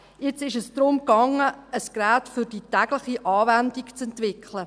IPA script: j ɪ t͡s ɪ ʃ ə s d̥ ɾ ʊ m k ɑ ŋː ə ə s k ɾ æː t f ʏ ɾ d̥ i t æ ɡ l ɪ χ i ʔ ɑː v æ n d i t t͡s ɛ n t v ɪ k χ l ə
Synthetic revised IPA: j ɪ t͡s ɪ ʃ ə s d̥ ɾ ʊ m k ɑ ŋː ə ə s k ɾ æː t f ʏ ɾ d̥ i t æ ɡ l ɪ χ i ʔ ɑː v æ n d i k t͡s ɛ n t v ɪ k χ l ə